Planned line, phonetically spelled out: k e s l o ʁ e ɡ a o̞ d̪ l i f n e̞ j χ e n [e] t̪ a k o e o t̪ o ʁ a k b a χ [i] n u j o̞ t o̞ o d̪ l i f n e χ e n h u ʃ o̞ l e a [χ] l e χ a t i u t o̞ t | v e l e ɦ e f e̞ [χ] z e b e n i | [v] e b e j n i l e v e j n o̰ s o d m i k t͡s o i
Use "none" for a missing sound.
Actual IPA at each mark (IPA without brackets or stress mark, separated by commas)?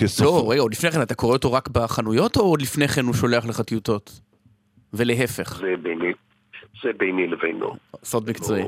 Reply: a, a, χ, χ, z